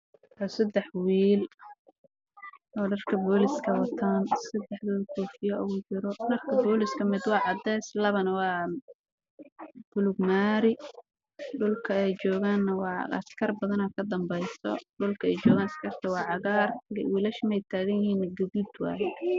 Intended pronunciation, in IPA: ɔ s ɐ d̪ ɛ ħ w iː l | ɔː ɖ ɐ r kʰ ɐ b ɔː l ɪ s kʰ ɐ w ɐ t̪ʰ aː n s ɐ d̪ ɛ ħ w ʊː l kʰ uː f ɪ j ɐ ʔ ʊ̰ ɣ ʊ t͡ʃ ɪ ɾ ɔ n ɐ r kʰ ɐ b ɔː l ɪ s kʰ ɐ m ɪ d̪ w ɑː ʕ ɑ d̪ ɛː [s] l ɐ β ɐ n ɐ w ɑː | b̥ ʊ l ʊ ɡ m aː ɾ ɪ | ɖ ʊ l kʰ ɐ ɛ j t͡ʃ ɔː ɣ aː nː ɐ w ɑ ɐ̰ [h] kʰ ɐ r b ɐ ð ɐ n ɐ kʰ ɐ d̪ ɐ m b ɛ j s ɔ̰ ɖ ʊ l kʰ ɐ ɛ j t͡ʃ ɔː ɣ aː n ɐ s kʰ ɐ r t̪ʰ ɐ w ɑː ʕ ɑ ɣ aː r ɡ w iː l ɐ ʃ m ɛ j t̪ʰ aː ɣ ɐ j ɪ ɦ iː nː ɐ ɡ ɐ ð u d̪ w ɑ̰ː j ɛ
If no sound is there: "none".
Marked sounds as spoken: s, s

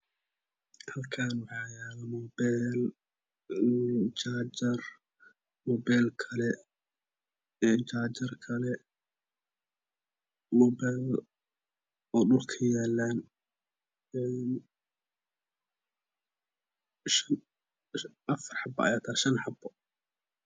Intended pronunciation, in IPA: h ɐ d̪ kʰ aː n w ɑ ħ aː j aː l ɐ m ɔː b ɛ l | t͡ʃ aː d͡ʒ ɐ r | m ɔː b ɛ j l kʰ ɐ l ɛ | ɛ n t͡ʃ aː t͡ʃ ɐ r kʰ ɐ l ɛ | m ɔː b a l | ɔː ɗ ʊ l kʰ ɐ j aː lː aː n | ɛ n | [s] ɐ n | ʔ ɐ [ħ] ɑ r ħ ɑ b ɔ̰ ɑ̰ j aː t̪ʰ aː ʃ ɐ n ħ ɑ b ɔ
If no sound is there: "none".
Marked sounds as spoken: ʃ, f

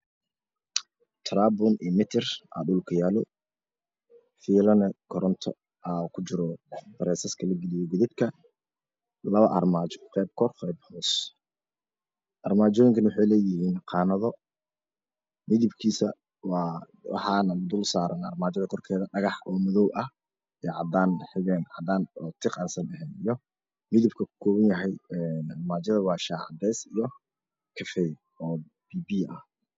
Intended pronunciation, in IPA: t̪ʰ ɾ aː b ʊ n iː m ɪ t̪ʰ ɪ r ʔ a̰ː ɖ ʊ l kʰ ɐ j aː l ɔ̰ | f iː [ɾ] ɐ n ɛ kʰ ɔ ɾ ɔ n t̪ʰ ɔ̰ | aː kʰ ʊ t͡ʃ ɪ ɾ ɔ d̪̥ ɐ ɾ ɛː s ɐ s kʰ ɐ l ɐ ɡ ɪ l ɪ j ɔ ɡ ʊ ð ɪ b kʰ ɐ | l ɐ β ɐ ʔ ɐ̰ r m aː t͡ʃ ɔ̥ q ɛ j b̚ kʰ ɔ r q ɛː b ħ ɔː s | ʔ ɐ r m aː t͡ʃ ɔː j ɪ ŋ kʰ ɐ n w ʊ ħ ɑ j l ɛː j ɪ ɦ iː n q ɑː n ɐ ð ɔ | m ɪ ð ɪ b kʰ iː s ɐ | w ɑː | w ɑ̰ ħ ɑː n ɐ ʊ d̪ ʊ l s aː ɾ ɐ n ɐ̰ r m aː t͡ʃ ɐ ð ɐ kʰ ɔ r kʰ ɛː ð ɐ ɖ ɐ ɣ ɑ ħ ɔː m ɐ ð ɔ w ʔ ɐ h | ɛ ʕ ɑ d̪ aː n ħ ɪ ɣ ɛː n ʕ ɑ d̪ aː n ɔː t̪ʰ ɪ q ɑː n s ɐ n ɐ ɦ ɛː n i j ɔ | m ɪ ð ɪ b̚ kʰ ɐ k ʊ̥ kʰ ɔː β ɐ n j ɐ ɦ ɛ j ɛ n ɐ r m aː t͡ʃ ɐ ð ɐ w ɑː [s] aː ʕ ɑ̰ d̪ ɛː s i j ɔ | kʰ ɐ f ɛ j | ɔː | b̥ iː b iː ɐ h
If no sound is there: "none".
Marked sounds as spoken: l, ʃ

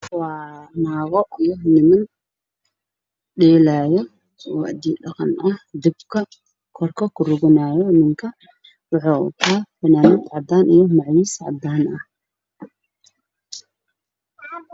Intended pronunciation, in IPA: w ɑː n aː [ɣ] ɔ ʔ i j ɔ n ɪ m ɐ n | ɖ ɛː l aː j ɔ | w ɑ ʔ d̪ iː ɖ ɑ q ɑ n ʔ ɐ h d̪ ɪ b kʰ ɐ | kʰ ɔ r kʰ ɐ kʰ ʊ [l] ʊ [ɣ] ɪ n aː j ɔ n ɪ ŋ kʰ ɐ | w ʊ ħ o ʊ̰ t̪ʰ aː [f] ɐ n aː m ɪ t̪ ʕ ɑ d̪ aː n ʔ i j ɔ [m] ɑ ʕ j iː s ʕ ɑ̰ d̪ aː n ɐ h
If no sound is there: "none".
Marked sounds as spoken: ɣ, r, ɣ, f, m

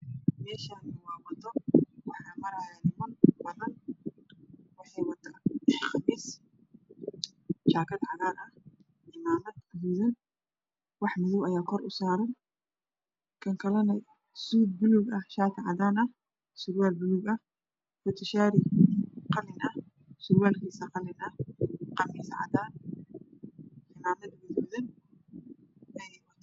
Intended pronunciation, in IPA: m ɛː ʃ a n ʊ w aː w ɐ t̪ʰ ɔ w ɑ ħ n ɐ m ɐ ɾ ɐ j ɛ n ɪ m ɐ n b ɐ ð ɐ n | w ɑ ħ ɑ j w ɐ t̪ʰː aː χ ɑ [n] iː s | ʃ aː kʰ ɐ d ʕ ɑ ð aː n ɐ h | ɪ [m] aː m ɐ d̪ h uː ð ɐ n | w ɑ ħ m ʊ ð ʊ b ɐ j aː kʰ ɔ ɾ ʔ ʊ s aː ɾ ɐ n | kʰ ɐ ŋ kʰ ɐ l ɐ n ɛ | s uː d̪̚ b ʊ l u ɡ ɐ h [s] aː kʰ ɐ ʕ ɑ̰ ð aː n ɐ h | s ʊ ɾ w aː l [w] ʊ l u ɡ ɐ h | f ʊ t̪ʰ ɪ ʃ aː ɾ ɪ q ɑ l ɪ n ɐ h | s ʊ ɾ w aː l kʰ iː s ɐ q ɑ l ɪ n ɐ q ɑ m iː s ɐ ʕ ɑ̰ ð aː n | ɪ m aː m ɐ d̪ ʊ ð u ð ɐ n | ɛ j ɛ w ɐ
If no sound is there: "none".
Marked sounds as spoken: m, m, ʃ, b

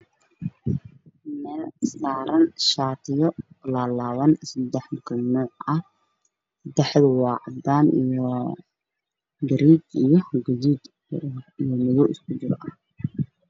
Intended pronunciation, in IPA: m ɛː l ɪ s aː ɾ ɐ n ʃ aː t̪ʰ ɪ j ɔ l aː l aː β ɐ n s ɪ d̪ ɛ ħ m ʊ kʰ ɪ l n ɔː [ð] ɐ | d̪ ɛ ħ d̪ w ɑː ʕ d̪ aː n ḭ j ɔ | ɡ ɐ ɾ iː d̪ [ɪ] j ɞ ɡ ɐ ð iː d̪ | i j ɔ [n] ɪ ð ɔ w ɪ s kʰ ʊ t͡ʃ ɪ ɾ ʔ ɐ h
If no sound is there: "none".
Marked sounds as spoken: ʕ, i, m

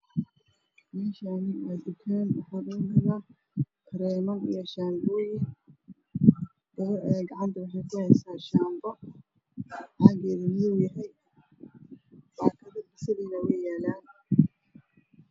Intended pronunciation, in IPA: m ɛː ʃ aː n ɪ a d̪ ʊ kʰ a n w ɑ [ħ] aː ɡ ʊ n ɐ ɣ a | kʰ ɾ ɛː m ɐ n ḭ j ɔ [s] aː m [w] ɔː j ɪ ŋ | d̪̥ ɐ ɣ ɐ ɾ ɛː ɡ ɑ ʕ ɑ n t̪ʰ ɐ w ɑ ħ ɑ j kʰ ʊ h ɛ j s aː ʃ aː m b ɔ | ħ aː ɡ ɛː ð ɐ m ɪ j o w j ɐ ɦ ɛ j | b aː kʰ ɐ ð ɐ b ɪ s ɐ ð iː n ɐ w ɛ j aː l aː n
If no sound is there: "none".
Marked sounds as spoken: ħ, ʃ, b

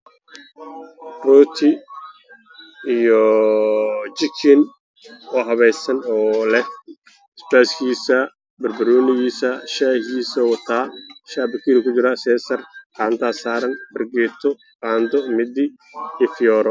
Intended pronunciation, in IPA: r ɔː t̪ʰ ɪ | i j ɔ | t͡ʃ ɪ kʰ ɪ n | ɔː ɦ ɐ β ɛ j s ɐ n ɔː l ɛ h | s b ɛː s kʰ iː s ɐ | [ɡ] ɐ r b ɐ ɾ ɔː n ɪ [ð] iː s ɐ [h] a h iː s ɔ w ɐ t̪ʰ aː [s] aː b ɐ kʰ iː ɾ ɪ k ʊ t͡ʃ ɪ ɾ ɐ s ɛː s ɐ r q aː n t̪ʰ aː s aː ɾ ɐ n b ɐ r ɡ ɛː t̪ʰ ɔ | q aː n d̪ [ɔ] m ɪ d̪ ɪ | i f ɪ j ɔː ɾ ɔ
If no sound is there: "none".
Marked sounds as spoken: b, ɣ, ʃ, ʃ, ɔ

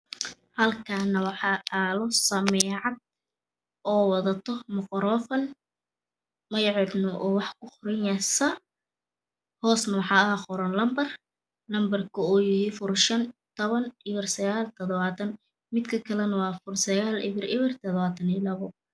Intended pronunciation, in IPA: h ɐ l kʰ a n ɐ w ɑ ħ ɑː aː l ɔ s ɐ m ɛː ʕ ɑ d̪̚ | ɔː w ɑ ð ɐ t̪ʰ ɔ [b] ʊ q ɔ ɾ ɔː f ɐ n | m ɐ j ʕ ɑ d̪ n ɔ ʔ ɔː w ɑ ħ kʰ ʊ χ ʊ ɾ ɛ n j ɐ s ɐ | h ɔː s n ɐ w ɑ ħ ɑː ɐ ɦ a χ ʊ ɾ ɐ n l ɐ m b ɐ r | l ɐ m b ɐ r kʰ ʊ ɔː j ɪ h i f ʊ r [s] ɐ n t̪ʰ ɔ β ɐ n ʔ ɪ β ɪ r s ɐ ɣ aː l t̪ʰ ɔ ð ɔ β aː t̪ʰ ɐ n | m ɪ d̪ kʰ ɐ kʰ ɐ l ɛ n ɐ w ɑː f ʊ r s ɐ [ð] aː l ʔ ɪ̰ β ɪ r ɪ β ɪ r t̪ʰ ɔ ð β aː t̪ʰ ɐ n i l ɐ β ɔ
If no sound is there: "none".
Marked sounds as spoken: m, ʃ, ɣ

